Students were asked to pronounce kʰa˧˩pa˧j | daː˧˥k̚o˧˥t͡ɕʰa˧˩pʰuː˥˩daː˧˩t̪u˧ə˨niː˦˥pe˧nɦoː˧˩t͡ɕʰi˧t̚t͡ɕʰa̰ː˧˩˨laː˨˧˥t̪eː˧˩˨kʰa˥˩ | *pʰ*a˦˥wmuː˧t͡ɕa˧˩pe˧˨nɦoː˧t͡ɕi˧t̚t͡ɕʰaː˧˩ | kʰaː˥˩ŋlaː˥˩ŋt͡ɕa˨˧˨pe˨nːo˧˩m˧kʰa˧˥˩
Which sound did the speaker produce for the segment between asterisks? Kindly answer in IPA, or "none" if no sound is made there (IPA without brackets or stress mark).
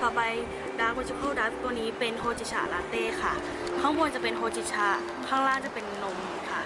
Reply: kʰ